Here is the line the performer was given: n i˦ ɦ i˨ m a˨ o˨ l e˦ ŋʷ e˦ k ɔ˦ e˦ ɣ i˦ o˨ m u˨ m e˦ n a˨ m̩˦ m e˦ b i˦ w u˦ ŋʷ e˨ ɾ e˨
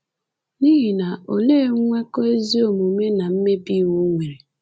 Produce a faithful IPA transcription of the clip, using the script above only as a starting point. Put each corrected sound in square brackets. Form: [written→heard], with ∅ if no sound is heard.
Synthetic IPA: n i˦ ɦ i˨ [m→n] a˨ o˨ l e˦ ŋʷ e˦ k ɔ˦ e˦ [ɣ→z] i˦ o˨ m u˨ m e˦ n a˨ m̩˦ m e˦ b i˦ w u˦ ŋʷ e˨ ɾ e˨